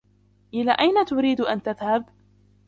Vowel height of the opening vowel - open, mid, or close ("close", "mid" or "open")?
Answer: close